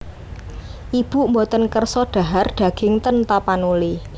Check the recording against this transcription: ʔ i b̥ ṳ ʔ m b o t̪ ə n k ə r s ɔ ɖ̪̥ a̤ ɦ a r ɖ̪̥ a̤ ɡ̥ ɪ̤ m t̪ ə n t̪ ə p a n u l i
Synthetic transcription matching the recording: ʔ i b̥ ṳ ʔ m b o t̪ ə n k ə r s ɔ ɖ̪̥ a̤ ɦ a r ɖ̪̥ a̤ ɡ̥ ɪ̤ ŋ t̪ ə n t̪ a p a n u l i